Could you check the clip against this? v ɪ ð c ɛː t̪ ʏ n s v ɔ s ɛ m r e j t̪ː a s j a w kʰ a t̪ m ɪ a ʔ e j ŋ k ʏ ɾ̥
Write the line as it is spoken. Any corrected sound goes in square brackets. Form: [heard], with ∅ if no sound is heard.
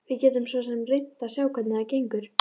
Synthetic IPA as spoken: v ɪ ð c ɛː t̪ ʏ [m] s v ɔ s ɛ m r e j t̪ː a s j a w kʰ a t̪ [n] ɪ a [c] e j ŋ k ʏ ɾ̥